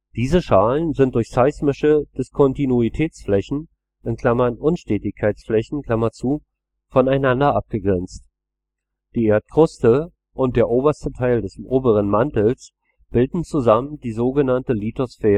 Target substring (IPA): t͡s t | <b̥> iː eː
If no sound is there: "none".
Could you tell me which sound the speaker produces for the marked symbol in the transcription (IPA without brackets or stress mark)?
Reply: d̥